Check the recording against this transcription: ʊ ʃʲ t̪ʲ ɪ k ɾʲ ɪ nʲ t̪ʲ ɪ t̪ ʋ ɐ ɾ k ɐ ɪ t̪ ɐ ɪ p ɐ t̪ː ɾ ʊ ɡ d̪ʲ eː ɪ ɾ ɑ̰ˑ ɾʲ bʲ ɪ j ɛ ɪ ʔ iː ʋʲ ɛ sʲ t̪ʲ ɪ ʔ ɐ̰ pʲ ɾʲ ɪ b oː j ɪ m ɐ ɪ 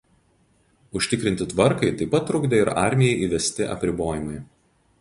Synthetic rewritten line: ʊ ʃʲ t̪ʲ ɪ k ɾʲ ɪ nʲ t̪ʲ ɪ t̪ ʋ ɐ ɾ k ɐ ɪ t̪ ɐ ɪ p ɐ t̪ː ɾ ʊ ɡ d̪ʲ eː ɪ ɾ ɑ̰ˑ ɾʲ mʲ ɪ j ɛ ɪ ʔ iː ʋʲ ɛ sʲ t̪ʲ ɪ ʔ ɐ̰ pʲ ɾʲ ɪ b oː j ɪ m ɐ ɪ

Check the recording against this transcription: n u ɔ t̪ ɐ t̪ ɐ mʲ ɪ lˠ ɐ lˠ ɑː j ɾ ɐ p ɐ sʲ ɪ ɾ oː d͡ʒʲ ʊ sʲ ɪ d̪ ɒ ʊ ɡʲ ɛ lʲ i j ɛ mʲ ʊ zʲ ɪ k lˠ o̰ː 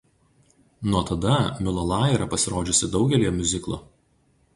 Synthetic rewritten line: n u ɔ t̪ ɐ d̪ ɐ mʲ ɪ lˠ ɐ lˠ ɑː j ɾ ɐ p ɐ sʲ ɪ ɾ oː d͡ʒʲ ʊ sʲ ɪ d̪ ɒ ʊ ɡʲ ɛ lʲ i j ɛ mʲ ʊ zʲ ɪ k lˠ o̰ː

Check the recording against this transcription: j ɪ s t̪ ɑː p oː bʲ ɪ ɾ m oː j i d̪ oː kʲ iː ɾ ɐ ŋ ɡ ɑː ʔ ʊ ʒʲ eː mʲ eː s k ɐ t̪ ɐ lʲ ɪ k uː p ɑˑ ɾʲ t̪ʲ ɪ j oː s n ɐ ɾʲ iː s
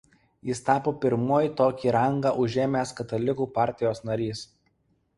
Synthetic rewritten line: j ɪ s t̪ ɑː p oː pʲ ɪ ɾ m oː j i t̪ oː kʲ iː ɾ ɐ ŋ ɡ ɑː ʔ ʊ ʒʲ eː mʲ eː s k ɐ t̪ ɐ lʲ ɪ k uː p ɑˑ ɾʲ t̪ʲ ɪ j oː s n ɐ ɾʲ iː s

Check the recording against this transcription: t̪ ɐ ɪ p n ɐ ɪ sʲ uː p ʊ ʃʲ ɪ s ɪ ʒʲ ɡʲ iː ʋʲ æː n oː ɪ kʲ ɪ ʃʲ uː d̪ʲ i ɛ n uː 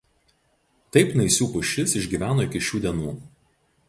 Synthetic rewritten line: t̪ ɐ ɪ p n ɐ ɪ sʲ uː p ʊ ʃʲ ɪ s ɪ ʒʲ ɡʲ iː ʋʲ æː n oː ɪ kʲ ɪ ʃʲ uː d̪ʲ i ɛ n uː

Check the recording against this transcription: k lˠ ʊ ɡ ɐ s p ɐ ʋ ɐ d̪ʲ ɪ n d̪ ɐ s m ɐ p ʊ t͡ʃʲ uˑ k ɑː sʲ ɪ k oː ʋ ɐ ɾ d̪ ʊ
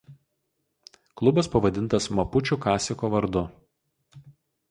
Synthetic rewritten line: k lˠ ʊ b ɐ s p ɐ ʋ ɐ d̪ʲ ɪ n t̪ ɐ s m ɐ p ʊ t͡ʃʲ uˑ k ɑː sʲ ɪ k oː ʋ ɐ ɾ d̪ ʊ

